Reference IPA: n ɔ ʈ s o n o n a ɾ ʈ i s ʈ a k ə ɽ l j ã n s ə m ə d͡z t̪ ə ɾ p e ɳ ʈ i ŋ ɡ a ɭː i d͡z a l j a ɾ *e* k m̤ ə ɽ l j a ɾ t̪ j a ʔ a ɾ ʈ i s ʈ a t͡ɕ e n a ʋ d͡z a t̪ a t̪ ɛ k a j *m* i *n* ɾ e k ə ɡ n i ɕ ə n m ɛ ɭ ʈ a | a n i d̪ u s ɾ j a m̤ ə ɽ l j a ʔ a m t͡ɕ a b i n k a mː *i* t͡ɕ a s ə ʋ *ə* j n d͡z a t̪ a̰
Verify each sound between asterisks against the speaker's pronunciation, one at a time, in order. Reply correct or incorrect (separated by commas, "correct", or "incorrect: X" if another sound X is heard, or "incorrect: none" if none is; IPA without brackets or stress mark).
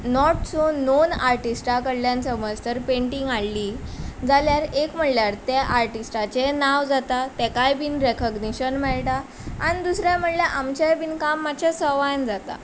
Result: correct, incorrect: b, correct, incorrect: a, incorrect: a